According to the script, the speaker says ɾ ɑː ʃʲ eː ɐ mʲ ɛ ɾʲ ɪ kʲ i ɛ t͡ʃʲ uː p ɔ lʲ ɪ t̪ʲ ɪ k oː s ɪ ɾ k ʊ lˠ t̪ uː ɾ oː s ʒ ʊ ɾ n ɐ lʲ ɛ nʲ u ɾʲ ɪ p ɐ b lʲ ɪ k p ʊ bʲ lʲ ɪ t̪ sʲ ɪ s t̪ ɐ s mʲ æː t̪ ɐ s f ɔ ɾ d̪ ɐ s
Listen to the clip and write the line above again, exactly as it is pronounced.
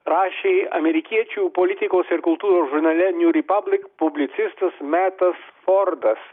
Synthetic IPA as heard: ɾ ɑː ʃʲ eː ɐ mʲ ɛ ɾʲ ɪ kʲ i ɛ t͡ʃʲ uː p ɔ lʲ ɪ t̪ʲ ɪ k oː s ɪ ɾ k ʊ lˠ t̪ uː ɾ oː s ʒ ʊ ɾ n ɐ lʲ ɛ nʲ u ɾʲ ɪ p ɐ b lʲ ɪ k p ʊ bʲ lʲ ɪ t̪ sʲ ɪ s t̪ ɐ s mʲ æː t̪ ɐ s f ɔ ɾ d̪ ɐ s

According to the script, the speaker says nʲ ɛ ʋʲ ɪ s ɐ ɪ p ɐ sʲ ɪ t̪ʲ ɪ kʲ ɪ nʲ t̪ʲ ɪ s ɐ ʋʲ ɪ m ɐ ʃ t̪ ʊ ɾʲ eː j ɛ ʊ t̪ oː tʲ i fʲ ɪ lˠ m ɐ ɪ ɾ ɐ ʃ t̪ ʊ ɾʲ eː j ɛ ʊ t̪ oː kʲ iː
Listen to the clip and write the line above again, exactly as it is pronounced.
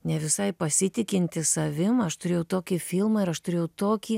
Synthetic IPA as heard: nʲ ɛ ʋʲ ɪ s ɐ ɪ p ɐ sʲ ɪ t̪ʲ ɪ kʲ ɪ nʲ t̪ʲ ɪ s ɐ ʋʲ ɪ m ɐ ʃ t̪ ʊ ɾʲ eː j ɛ ʊ t̪ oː kʲ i fʲ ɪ lˠ m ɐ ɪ ɾ ɐ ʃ t̪ ʊ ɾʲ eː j ɛ ʊ t̪ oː kʲ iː

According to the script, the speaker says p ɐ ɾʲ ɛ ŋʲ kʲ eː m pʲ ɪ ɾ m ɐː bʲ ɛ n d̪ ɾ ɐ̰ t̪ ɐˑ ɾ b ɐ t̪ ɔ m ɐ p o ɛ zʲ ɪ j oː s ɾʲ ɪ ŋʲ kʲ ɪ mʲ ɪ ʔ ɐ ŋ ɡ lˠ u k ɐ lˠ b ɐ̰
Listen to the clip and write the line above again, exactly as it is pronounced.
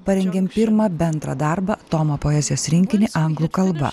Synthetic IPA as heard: p ɐ ɾʲ ɛ ŋʲ ɡʲ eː m pʲ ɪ ɾ m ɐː bʲ ɛ n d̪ ɾ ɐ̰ d̪ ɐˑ ɾ b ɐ t̪ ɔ m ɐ p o ɛ zʲ ɪ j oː s ɾʲ ɪ ŋʲ kʲ ɪ nʲ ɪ ʔ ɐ ŋ ɡ lˠ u k ɐ lˠ b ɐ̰

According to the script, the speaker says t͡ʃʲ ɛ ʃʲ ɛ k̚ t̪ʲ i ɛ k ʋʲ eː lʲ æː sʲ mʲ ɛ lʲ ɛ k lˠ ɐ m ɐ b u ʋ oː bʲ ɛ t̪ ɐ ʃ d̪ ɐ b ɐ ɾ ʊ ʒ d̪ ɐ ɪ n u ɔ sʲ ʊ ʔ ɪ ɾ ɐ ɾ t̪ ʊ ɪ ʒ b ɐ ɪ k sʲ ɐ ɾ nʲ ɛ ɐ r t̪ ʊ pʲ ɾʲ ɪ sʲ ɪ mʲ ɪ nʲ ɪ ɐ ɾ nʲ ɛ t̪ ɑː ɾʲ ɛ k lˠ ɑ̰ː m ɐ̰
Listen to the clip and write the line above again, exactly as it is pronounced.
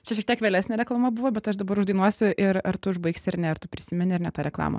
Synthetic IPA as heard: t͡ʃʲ ɛ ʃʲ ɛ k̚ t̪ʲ i ɛ k ʋʲ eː lʲ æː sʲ nʲ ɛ ɾʲ ɛ k lˠ ɐ m ɐ b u ʋ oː bʲ ɛ t̪ ɐ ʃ d̪ ɐ b ɐ ɾ ʊ ʒ d̪ ɐ ɪ n u ɔ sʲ ʊ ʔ ɪ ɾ ɐ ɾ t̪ ʊ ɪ ʒ b ɐ ɪ k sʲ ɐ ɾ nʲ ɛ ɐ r t̪ ʊ pʲ ɾʲ ɪ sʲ ɪ mʲ ɪ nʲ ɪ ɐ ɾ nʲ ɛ t̪ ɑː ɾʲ ɛ k lˠ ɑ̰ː m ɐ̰

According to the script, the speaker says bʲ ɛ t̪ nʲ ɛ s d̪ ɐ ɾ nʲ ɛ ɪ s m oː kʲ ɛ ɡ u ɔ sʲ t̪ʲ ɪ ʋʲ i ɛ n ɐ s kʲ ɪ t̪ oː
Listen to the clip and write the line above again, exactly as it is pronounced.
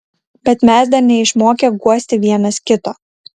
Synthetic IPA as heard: bʲ ɛ t̪ mʲ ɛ s d̪ ɐ ɾ nʲ ɛ ɪ ʃ m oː kʲ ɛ ɡ u ɔ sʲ t̪ʲ ɪ ʋʲ i ɛ n ɐ s kʲ ɪ t̪ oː

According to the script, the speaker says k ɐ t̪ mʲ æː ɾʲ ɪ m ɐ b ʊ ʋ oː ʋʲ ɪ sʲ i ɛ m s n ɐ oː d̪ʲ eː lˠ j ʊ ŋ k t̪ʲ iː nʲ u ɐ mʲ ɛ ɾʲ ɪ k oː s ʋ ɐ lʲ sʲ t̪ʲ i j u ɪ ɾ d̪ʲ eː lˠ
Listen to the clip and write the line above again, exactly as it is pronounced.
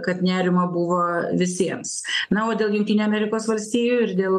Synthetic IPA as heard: k ɐ t̪ nʲ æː ɾʲ ɪ m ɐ b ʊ ʋ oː ʋʲ ɪ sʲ i ɛ m s n ɐ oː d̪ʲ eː lˠ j ʊ ŋ k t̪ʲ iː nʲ u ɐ mʲ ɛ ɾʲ ɪ k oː s ʋ ɐ lʲ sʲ t̪ʲ iː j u ɪ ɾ d̪ʲ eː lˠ

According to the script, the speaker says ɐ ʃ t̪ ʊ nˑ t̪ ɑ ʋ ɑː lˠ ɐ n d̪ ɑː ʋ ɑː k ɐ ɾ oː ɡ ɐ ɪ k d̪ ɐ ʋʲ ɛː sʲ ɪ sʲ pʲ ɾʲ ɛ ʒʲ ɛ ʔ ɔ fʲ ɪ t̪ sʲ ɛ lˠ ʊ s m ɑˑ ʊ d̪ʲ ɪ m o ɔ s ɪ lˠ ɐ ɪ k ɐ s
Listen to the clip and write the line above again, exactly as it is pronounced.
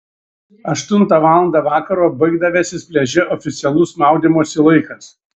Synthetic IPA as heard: ɐ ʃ t̪ ʊ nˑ t̪ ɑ ʋ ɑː lˠ ɐ n d̪ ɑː ʋ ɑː k ɐ ɾ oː b ɐ ɪ ɡ d̪ ɐ ʋʲ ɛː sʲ ɪ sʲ pʲ lʲ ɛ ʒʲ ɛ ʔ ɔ fʲ ɪ t̪ sʲ ɛ lˠ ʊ s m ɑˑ ʊ d̪ʲ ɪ m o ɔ s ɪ lˠ ɐ ɪ k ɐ s

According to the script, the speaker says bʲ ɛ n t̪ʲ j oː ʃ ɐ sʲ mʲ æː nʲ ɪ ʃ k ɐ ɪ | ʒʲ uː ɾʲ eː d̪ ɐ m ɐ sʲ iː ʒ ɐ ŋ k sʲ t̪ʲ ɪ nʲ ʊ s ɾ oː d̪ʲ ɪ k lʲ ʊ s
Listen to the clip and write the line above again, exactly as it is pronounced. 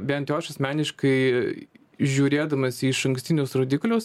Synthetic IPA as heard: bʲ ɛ n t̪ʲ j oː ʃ ɐ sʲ mʲ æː nʲ ɪ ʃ k ɐ ɪ | ʒʲ uː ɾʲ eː d̪ ɐ m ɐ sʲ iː ʃ ɐ ŋ k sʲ t̪ʲ ɪ nʲ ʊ s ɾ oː d̪ʲ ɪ k lʲ ʊ s

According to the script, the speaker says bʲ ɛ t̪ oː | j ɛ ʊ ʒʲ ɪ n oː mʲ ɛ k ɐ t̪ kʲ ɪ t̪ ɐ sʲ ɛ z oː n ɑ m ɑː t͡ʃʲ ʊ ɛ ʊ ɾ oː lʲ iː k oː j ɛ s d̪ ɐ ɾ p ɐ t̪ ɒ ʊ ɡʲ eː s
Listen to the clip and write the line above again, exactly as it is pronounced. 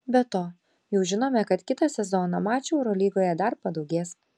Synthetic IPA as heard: bʲ ɛ t̪ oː | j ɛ ʊ ʒʲ ɪ n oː mʲ ɛ k ɐ t̪ kʲ ɪ t̪ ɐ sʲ ɛ z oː n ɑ m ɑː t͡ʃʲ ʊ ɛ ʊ ɾ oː lʲ iː ɡ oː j ɛ d̪ ɐ ɾ p ɐ d̪ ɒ ʊ ɡʲ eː s

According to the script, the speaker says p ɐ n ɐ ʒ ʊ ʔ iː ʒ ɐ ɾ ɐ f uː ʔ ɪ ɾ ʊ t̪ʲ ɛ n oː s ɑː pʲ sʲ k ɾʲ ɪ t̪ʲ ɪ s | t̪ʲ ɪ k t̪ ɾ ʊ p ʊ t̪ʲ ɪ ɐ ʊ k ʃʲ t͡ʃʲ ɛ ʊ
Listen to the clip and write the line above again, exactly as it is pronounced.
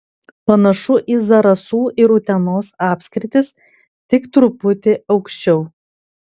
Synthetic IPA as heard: p ɐ n ɐ ʃ ʊ ʔ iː z ɐ ɾ ɐ s uː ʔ ɪ ɾ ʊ t̪ʲ ɛ n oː s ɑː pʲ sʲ k ɾʲ ɪ t̪ʲ ɪ s | t̪ʲ ɪ k t̪ ɾ ʊ p ʊ t̪ʲ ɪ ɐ ʊ k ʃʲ t͡ʃʲ ɛ ʊ

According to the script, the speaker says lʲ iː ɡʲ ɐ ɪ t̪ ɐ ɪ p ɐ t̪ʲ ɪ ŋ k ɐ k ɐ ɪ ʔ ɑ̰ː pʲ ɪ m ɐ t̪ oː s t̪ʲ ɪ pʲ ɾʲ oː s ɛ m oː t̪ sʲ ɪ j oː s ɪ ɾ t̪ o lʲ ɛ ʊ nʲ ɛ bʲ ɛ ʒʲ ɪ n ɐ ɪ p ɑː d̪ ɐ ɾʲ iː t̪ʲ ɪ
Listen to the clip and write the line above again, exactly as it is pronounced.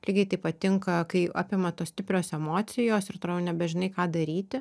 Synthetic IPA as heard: lʲ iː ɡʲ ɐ ɪ t̪ ɐ ɪ p ɐ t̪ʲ ɪ ŋ k ɐ k ɐ ɪ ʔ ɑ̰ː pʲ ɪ m ɐ t̪ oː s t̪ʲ ɪ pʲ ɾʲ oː s ɛ m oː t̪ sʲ ɪ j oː s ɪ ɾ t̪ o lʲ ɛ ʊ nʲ ɛ bʲ ɛ ʒʲ ɪ n ɐ ɪ k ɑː d̪ ɐ ɾʲ iː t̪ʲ ɪ

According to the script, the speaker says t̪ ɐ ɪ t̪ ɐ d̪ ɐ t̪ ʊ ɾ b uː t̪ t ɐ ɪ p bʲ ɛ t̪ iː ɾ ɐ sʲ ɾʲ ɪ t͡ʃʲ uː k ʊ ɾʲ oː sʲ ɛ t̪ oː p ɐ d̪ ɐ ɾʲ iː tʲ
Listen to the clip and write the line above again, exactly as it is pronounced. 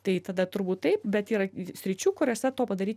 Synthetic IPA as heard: t̪ ɐ ɪ t̪ ɐ d̪ ɐ t̪ ʊ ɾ b uː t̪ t ɐ ɪ p bʲ ɛ t̪ iː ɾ ɐ sʲ ɾʲ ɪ t͡ʃʲ uː k ʊ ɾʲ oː sʲ ɛ t̪ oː p ɐ d̪ ɐ ɾʲ iː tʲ

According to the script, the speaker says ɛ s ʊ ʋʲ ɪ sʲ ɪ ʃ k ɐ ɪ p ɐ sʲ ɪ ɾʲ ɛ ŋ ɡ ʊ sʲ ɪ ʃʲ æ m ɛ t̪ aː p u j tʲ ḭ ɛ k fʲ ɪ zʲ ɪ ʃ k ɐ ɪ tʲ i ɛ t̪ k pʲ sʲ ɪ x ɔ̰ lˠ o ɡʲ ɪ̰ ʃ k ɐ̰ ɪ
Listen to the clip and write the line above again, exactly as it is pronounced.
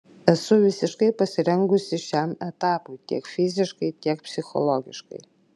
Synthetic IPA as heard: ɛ s ʊ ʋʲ ɪ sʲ ɪ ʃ k ɐ ɪ p ɐ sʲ ɪ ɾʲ ɛ ŋ ɡ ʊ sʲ ɪ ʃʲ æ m ɛ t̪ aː p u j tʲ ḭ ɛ k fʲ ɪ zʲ ɪ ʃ k ɐ ɪ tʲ i ɛ k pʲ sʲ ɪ x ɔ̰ lˠ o ɡʲ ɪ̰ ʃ k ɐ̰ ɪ

